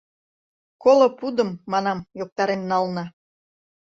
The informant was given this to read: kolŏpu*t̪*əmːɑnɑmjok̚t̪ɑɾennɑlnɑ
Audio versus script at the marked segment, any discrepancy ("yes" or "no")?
yes